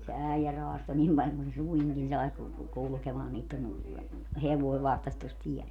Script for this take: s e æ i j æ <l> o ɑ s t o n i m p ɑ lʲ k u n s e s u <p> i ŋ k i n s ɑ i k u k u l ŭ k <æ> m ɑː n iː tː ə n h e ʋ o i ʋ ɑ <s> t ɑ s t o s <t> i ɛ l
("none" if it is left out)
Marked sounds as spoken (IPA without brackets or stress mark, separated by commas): r, none, e, h, t